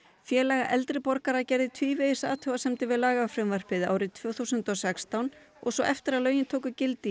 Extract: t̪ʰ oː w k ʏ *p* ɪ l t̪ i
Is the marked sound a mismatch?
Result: yes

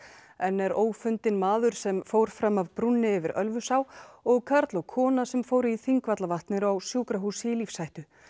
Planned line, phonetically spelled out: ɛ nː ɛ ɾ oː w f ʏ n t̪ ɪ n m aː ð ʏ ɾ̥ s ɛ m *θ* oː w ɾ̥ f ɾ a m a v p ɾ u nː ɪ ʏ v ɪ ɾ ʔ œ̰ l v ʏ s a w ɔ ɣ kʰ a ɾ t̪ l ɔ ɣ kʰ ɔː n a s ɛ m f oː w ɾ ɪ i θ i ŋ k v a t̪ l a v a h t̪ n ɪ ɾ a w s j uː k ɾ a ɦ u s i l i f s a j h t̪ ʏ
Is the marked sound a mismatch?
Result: yes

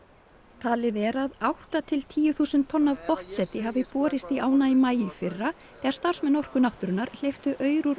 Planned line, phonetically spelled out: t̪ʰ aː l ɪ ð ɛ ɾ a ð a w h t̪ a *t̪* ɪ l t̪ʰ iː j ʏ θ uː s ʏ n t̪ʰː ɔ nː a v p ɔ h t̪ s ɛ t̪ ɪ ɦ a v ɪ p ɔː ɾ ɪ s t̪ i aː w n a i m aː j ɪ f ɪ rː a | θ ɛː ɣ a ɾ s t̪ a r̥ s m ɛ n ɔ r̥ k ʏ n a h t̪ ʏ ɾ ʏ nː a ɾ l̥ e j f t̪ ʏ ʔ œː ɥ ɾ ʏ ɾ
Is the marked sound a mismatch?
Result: yes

